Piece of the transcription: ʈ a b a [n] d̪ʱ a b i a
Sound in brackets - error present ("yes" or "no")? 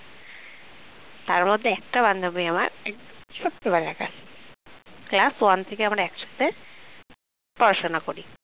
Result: no